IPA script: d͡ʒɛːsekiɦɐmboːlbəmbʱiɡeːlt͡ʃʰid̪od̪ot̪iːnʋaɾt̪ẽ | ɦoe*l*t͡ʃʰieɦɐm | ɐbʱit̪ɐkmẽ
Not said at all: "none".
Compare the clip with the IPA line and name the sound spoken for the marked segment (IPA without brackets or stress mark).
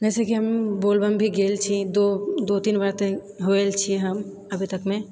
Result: l